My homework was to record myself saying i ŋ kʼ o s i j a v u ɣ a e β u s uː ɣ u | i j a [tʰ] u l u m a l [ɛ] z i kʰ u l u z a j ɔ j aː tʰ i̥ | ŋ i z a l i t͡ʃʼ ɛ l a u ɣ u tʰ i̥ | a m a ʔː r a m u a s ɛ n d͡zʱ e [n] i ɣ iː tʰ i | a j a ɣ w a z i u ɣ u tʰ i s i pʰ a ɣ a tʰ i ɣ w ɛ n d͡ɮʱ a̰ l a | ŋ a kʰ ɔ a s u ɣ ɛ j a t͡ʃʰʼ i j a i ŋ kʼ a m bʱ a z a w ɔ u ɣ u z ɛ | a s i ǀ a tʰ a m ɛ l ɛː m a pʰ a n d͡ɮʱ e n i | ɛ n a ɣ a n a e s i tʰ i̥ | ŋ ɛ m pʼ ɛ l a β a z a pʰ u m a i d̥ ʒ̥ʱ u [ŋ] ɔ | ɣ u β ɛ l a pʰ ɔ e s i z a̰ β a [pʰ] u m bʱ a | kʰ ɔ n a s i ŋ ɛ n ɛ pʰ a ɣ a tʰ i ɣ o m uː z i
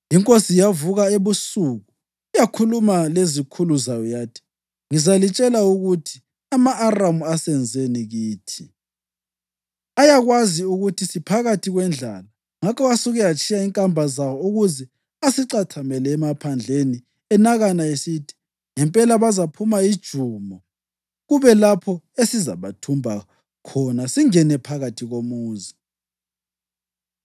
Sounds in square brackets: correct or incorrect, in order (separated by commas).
incorrect, incorrect, correct, incorrect, incorrect